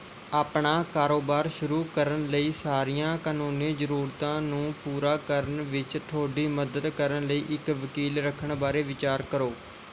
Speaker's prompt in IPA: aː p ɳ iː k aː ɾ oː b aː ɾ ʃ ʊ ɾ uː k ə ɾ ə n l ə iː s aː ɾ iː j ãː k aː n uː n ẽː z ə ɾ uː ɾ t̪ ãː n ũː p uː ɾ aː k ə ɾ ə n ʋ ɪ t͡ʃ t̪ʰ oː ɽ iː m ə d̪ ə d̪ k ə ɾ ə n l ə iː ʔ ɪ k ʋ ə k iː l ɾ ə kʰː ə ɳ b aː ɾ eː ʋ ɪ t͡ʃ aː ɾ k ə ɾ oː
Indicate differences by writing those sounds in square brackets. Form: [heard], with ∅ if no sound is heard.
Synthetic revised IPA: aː p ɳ [aː] k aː ɾ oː b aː ɾ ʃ ʊ ɾ uː k ə ɾ ə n l ə iː s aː ɾ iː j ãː k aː n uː n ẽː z ə ɾ uː ɾ t̪ ãː n ũː p uː ɾ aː k ə ɾ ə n ʋ ɪ t͡ʃ t̪ʰ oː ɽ iː m ə d̪ ə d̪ k ə ɾ ə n l ə iː ʔ ɪ k ʋ ə k iː l ɾ ə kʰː ə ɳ b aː ɾ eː ʋ ɪ t͡ʃ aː ɾ k ə ɾ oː